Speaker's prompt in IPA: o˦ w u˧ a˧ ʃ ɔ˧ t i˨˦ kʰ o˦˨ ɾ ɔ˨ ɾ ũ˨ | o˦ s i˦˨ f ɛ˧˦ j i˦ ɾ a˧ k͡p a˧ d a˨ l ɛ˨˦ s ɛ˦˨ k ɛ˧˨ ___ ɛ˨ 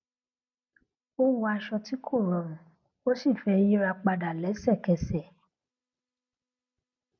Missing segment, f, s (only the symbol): s